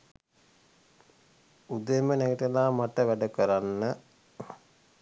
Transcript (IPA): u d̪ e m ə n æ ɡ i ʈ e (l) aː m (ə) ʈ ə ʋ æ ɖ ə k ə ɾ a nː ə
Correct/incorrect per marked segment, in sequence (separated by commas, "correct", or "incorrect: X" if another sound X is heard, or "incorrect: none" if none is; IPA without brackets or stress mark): correct, incorrect: a